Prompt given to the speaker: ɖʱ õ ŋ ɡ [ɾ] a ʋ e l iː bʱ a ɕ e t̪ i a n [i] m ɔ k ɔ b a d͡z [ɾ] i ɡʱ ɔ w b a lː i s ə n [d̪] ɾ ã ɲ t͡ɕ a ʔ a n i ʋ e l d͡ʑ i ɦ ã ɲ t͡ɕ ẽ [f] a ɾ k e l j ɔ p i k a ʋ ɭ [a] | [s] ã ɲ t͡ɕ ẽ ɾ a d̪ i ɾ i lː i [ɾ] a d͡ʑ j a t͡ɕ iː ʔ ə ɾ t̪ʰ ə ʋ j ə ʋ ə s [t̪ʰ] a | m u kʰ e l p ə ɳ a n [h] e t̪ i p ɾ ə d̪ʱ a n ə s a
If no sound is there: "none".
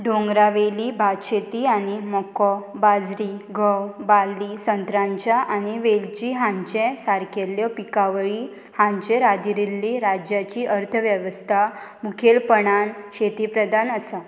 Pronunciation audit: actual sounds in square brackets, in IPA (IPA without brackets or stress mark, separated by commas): ɾ, i, ɾ, t̪, s, i, h, ɾ, t̪ʰ, ɕ